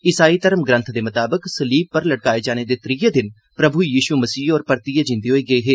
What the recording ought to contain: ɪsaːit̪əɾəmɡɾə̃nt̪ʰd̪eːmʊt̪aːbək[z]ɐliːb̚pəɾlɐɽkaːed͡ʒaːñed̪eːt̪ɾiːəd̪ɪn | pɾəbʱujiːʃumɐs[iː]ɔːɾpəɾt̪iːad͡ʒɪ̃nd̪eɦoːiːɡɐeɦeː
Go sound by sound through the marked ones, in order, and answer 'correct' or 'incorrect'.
incorrect, correct

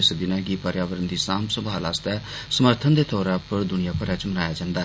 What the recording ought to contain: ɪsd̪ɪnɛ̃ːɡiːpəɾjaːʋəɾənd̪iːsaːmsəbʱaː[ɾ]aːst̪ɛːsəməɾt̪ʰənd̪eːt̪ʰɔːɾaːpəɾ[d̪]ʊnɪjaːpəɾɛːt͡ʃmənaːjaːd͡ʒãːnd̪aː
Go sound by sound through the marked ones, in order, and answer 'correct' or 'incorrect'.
incorrect, correct

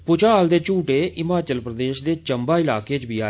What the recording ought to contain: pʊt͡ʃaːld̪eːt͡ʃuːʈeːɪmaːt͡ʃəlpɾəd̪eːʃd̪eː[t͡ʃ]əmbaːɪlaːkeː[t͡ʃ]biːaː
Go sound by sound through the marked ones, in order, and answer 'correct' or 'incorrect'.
correct, correct

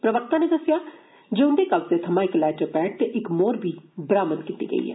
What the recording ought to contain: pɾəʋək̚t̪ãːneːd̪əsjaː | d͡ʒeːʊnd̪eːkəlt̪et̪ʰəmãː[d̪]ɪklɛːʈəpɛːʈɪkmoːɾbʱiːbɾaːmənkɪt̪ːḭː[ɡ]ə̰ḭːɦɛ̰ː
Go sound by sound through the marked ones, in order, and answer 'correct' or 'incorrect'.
incorrect, correct

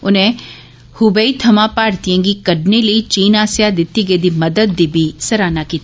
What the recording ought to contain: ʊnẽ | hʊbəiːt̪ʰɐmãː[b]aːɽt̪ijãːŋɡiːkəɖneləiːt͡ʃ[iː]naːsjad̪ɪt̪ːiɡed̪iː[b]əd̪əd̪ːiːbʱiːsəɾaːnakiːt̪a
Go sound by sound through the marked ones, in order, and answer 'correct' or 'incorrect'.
incorrect, correct, incorrect

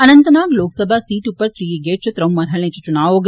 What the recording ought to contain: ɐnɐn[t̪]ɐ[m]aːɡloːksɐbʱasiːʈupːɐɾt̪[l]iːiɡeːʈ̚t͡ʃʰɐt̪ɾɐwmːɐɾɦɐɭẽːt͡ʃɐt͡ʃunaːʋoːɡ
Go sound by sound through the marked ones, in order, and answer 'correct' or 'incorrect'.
correct, incorrect, incorrect

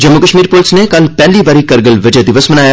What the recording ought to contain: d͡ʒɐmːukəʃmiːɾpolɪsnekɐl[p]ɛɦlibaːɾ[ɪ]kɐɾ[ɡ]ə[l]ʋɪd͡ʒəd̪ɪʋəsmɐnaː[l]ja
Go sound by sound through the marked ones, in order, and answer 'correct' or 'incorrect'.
correct, incorrect, correct, correct, incorrect

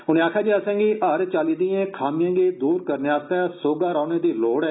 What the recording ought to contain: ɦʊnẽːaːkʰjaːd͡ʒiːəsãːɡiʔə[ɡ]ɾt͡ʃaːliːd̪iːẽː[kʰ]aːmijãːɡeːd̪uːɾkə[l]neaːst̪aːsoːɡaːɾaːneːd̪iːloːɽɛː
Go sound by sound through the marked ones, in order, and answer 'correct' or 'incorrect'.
incorrect, correct, incorrect

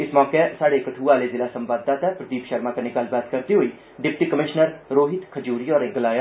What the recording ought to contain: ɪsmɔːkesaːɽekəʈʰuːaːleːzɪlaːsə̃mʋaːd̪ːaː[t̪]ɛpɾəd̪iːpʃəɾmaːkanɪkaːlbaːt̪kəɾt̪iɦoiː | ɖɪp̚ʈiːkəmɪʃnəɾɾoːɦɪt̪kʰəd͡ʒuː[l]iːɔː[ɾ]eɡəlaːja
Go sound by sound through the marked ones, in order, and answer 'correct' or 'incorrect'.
correct, incorrect, correct

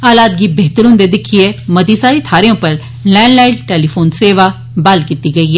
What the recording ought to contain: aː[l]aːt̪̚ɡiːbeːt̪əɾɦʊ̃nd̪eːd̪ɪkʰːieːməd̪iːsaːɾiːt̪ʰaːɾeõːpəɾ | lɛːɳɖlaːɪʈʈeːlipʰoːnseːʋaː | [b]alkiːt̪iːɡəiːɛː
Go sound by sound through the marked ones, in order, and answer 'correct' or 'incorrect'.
correct, correct

